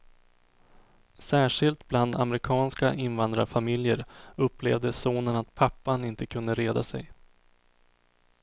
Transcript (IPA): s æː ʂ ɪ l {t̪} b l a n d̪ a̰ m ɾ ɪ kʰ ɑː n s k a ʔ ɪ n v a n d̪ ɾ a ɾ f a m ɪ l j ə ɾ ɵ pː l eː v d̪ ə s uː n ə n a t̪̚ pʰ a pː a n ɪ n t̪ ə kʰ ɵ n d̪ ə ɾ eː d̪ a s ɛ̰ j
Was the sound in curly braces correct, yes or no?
yes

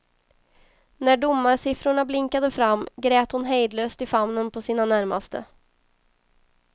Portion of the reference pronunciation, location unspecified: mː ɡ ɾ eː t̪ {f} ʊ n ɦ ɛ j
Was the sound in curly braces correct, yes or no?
no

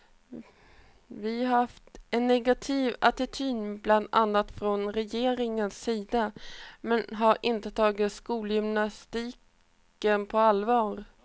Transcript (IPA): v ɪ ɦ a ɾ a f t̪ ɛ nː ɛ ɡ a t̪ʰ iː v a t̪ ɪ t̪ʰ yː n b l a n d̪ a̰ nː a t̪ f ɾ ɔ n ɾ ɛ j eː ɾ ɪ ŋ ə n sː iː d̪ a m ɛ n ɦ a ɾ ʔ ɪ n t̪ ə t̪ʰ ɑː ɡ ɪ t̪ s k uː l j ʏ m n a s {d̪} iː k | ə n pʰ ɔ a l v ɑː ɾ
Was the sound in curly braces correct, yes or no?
no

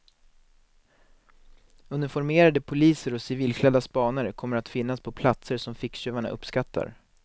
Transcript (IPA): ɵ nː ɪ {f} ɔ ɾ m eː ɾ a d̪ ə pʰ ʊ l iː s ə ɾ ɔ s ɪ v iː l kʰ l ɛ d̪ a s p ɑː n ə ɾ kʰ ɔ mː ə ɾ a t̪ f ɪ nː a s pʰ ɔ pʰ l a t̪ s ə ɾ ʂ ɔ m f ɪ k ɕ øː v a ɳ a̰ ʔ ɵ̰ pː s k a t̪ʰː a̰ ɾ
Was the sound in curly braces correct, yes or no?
yes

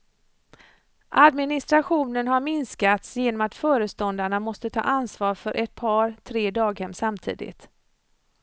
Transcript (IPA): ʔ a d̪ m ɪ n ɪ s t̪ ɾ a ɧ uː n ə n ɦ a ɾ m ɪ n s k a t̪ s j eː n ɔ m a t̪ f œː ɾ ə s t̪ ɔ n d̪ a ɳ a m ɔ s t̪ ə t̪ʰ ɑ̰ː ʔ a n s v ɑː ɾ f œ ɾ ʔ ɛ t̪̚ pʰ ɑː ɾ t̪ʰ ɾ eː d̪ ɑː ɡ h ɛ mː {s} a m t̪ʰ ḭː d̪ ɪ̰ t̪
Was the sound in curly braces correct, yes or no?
yes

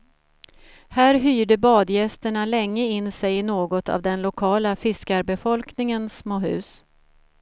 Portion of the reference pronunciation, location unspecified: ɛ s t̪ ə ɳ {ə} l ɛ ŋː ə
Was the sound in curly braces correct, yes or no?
no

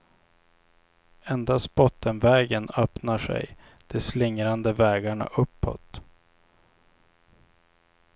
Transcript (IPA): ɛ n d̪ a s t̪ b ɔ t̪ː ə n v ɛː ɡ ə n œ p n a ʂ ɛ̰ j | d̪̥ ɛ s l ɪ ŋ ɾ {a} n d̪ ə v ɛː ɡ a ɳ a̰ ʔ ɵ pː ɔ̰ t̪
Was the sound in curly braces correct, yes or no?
yes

